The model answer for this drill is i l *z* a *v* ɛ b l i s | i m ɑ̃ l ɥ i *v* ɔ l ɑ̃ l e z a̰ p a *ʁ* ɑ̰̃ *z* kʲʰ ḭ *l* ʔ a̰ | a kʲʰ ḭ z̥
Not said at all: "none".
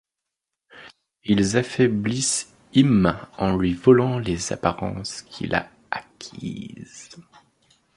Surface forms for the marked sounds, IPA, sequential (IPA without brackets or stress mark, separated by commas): z, f, v, ʁ, s, l